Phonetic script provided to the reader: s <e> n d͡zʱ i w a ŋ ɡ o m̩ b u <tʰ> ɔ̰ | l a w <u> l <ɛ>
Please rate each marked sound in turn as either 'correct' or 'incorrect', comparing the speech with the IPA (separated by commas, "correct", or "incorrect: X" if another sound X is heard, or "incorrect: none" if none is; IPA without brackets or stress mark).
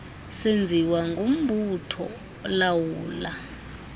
correct, correct, incorrect: uː, incorrect: a